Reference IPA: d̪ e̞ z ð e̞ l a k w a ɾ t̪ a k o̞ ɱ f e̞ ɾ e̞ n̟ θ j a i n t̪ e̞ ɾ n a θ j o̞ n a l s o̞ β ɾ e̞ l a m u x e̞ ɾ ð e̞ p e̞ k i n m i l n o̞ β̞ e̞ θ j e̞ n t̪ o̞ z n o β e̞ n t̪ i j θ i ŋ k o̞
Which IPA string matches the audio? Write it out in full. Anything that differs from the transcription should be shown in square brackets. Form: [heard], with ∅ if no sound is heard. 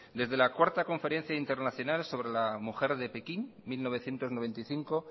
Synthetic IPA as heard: d̪ e̞ z ð e̞ l a k w a ɾ t̪ a k o̞ ɱ f e̞ ɾ e̞ n̟ θ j a i n t̪ e̞ ɾ n a θ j o̞ n a l s o̞ β ɾ e̞ l a m u x e̞ ɾ ð e̞ p e̞ k i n m i l n o̞ β̞ e̞ θ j e̞ n t̪ o̞ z n o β e̞ n t̪ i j θ i ŋ k o̞